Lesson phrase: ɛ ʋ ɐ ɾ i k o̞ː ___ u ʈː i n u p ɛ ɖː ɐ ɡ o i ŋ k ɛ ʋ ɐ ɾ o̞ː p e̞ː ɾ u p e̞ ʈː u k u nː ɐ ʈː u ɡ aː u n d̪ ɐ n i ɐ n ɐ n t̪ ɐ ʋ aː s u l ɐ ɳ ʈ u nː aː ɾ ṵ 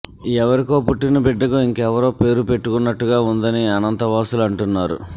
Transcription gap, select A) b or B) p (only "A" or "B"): B